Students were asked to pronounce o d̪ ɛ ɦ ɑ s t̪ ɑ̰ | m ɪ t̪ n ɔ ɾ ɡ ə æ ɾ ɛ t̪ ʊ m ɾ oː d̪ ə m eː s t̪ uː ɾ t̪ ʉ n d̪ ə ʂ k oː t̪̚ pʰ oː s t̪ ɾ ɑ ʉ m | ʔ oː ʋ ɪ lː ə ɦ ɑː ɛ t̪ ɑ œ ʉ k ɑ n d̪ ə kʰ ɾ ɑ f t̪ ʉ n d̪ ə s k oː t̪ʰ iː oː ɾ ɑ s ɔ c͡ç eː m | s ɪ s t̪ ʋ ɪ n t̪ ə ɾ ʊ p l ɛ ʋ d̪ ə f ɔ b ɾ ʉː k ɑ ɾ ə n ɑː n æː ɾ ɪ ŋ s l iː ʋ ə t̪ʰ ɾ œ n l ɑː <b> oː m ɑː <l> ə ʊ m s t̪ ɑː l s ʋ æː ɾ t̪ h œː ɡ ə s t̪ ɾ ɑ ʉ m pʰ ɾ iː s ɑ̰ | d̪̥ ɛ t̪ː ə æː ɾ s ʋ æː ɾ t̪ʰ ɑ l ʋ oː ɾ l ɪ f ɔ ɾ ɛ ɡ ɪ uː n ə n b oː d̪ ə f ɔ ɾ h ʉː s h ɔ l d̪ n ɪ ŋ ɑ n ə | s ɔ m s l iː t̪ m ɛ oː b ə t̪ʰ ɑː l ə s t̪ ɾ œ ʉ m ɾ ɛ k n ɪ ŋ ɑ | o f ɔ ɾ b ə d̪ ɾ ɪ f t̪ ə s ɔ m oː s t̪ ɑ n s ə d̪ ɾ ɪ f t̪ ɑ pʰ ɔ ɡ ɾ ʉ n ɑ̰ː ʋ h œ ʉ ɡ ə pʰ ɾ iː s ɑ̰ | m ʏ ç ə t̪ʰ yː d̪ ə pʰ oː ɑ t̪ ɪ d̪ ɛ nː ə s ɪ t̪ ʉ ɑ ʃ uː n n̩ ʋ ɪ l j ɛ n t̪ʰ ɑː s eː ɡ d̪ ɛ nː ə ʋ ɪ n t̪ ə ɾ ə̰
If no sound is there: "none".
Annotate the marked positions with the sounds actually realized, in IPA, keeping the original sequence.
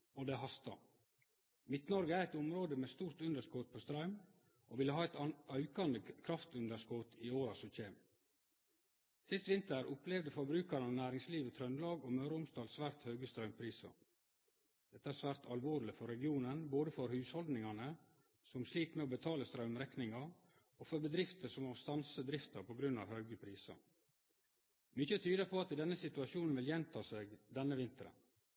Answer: ɡ, ɾ

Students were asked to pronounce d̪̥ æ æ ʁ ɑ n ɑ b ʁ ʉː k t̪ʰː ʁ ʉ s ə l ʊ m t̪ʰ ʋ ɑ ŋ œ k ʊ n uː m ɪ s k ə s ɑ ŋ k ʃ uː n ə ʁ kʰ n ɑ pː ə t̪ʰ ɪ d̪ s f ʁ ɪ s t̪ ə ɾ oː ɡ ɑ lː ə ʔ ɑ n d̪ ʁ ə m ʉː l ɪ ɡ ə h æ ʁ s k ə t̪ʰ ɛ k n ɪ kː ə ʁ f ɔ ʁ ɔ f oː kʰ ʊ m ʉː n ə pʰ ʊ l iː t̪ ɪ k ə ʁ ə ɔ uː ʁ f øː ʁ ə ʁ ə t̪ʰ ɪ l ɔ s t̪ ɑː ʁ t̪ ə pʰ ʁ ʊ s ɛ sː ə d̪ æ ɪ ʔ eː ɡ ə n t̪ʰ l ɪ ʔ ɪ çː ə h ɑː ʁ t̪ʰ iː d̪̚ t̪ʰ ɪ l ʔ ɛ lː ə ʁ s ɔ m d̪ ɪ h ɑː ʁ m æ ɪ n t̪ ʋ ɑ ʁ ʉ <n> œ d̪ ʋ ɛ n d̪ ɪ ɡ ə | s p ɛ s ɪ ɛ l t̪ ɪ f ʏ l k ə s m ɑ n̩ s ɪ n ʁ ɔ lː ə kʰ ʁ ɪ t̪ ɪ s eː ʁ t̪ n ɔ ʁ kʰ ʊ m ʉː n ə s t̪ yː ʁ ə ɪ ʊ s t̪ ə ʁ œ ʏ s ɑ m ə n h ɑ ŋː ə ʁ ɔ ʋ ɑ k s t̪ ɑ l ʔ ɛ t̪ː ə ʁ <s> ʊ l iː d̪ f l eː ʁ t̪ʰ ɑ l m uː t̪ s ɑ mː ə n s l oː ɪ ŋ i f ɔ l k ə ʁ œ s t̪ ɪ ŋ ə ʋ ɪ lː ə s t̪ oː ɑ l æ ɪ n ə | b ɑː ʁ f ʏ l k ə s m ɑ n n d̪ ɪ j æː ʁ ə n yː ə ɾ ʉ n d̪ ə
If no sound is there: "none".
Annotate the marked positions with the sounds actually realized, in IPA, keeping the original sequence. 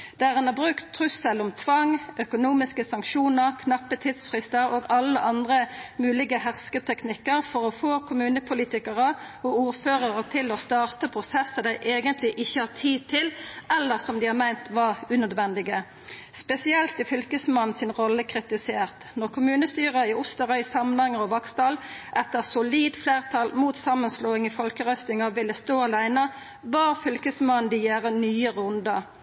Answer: n, s

